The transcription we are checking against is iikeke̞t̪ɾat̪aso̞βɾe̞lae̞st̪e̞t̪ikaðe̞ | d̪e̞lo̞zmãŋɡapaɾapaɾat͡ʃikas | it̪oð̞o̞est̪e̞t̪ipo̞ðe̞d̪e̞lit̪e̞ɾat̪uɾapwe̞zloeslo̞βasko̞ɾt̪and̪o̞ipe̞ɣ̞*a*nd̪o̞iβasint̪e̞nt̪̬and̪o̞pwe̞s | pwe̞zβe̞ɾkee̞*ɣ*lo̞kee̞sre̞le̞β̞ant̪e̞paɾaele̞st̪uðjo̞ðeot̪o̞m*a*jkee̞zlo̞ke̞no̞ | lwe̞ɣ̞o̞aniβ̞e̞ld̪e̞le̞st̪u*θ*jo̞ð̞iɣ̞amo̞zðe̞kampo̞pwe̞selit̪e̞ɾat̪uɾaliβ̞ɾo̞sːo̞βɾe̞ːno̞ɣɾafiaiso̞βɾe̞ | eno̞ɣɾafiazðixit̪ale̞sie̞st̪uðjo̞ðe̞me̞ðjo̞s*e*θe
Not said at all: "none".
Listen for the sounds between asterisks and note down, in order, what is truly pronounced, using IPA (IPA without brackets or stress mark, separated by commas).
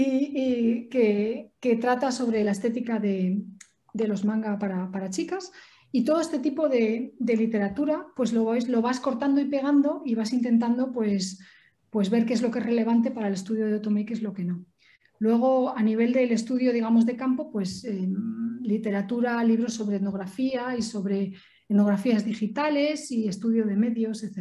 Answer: a, z, e, ð, e